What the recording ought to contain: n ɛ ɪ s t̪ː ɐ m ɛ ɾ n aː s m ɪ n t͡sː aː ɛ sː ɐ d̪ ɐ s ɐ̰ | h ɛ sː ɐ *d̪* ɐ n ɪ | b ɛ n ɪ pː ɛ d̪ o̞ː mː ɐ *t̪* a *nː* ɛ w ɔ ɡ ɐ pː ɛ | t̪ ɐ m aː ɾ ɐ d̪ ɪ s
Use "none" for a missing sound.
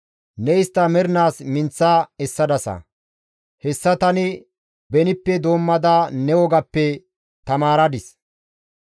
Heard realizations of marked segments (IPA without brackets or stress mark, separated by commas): t̪, d̪, n